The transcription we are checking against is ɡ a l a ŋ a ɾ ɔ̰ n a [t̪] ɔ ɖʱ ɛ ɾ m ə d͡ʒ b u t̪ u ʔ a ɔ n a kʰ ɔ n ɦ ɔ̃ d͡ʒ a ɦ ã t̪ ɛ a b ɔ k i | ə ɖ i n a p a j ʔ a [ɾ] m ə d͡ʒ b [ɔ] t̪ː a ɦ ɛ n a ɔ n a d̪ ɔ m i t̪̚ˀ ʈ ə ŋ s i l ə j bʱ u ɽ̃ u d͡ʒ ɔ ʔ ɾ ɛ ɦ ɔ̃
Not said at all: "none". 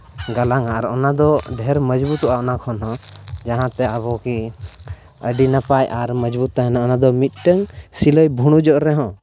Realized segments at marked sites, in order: d̪, ɾ, u

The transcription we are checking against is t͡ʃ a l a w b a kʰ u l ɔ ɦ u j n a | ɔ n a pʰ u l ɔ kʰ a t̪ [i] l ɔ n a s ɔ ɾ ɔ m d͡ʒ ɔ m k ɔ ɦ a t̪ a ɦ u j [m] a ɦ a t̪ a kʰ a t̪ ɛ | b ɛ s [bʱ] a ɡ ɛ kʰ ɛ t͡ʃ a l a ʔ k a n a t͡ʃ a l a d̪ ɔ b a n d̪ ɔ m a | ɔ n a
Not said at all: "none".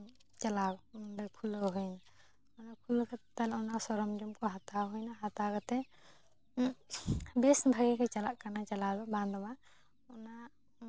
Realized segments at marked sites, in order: a, n, bʱ

